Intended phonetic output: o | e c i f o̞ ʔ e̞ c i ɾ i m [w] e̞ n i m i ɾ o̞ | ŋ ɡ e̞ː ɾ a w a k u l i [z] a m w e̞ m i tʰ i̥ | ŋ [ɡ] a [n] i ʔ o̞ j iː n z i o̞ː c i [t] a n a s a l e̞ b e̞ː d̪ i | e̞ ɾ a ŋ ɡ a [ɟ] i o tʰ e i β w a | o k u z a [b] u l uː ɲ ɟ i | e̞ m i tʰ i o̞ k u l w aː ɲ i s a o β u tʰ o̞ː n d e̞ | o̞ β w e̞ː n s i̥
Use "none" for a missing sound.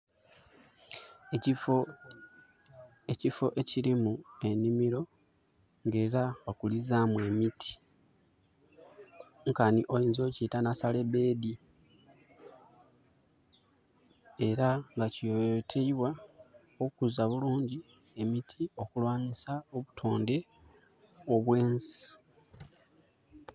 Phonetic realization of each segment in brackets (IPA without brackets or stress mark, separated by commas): u, z, k, n, t, c, β